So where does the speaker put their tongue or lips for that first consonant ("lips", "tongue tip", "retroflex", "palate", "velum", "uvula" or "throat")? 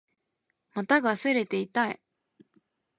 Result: lips